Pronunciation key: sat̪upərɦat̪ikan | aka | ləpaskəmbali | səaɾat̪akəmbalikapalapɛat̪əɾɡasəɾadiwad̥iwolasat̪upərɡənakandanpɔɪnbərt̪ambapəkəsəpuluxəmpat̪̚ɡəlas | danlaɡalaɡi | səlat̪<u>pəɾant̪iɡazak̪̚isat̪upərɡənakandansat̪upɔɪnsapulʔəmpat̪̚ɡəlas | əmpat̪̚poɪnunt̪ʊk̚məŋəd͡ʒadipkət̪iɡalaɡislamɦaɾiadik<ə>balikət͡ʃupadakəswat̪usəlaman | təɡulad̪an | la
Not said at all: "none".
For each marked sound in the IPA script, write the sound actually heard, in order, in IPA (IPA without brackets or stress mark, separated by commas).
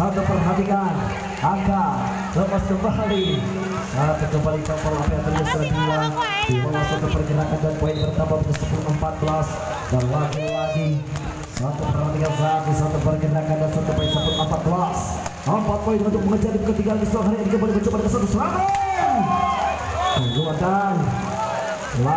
u, ə